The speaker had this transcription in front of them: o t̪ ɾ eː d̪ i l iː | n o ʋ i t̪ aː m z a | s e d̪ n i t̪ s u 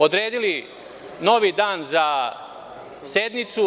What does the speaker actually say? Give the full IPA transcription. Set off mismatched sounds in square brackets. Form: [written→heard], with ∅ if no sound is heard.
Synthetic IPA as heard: o [t̪→d̪] ɾ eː d̪ i l [iː→i] | n o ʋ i [t̪→d̪] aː [m→n] z a | s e d̪ n i t̪ s u